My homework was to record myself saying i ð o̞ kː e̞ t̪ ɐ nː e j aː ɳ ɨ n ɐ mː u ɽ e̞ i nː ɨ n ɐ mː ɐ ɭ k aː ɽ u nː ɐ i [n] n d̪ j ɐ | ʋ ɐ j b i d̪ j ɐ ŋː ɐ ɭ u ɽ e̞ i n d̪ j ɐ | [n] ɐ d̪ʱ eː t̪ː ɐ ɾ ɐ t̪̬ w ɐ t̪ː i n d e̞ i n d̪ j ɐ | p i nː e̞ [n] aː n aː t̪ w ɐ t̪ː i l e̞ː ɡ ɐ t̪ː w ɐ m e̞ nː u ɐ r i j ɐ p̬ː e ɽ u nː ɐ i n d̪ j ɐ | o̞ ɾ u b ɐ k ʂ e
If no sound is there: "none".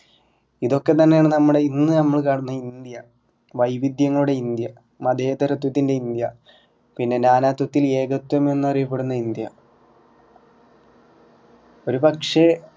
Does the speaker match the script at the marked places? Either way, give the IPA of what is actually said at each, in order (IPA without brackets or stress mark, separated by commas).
n, m, n